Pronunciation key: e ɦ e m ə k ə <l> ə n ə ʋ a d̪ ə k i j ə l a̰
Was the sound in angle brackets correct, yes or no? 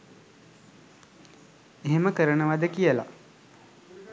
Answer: no